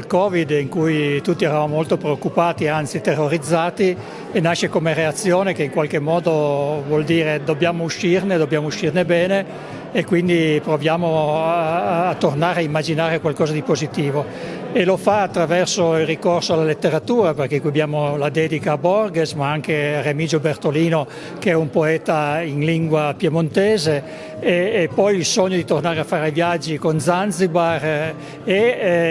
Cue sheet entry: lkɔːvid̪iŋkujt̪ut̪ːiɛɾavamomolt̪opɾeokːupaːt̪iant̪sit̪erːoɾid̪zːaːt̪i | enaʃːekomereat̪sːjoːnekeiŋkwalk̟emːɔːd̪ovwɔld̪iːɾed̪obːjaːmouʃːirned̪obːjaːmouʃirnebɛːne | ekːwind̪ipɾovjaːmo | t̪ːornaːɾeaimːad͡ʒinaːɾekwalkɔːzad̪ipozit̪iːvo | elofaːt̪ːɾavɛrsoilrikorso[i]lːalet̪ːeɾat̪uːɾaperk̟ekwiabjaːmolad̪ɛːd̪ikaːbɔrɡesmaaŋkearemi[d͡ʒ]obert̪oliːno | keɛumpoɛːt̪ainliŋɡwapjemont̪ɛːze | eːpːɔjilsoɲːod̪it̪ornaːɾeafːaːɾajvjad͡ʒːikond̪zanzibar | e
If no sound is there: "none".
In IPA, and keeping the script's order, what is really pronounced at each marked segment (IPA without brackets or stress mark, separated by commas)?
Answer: a, d͡ʒ